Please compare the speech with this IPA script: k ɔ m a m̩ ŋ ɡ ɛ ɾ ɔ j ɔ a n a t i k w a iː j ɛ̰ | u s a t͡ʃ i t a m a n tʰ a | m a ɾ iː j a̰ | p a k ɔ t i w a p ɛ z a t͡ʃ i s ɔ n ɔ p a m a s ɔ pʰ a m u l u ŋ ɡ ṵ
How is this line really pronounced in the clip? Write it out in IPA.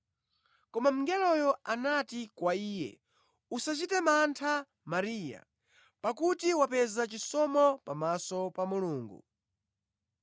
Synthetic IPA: k ɔ m a m̩ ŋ ɡ ɛ l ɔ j ɔ a n a t i k w a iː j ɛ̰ | u s a t͡ʃ i t ɛ m a n tʰ a | m a ɾ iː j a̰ | p a k u t i w a p ɛ z a t͡ʃ i s ɔ m ɔ p a m a s ɔ p a m u l uː ŋ ɡ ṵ